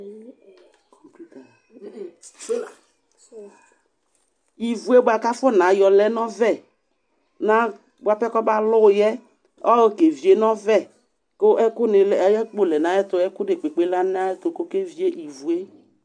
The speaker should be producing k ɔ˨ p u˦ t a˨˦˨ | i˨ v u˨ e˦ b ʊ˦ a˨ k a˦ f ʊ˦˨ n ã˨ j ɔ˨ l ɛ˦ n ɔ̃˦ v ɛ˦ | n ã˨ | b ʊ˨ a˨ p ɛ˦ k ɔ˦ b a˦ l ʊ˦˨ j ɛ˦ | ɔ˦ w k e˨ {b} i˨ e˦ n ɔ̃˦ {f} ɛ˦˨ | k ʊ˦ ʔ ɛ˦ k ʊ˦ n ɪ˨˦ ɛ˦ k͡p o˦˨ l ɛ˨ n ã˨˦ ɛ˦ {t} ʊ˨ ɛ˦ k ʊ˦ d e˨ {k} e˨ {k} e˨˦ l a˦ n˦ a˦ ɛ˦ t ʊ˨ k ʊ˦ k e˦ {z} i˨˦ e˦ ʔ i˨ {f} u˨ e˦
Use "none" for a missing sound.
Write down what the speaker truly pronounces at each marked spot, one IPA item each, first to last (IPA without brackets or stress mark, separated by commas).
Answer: v, v, t, k͡p, k͡p, v, v